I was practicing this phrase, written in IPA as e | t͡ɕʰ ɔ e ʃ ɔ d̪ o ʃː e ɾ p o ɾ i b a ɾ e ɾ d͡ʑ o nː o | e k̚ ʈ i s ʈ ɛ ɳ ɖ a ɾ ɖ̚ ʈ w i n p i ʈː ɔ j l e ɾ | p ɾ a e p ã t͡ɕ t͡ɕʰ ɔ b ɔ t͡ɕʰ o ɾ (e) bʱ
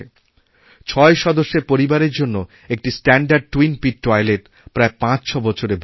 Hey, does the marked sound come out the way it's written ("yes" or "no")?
yes